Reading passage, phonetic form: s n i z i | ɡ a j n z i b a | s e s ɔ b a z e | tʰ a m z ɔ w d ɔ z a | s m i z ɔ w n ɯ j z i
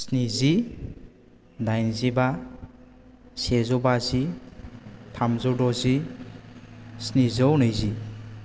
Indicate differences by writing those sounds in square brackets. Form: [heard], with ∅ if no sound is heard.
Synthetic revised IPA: s n i z i | [d] a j n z i b a | s e [z] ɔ b a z [i] | tʰ a m z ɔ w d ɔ z [i] | s [n] i z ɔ w n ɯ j z i